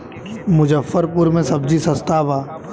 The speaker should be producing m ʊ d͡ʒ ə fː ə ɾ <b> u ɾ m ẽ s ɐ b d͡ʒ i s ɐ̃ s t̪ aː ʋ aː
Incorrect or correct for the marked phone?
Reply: incorrect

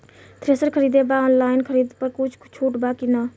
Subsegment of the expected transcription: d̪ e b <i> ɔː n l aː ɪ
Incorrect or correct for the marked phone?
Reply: incorrect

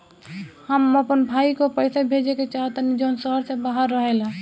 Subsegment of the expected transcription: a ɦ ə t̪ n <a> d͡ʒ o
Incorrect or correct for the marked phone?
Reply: incorrect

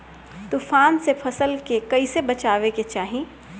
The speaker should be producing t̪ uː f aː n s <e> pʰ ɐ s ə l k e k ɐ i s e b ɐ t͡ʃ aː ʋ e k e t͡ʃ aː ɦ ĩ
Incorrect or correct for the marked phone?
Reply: correct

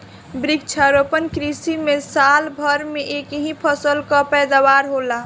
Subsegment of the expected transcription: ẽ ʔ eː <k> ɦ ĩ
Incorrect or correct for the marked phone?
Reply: correct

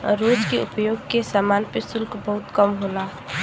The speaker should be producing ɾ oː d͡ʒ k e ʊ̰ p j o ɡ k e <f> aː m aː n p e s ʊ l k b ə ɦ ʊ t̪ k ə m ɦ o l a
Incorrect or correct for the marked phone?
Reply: incorrect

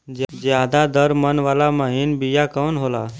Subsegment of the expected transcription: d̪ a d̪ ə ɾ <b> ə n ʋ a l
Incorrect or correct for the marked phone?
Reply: incorrect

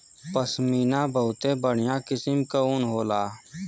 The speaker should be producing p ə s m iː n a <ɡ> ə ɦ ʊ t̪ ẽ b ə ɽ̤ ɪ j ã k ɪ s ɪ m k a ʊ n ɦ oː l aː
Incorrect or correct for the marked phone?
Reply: incorrect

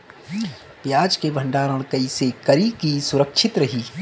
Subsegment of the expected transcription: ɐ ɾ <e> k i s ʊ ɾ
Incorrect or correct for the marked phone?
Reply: incorrect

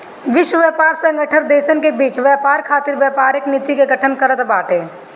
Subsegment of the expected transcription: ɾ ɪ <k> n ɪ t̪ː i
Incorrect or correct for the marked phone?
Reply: correct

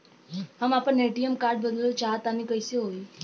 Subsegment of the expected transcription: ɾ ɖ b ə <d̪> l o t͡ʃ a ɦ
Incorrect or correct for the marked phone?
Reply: correct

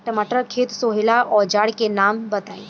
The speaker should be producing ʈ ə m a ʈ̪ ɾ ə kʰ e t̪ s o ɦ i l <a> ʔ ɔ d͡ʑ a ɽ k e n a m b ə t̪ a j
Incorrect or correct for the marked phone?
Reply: correct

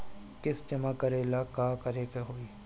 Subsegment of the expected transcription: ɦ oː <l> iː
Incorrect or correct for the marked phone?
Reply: incorrect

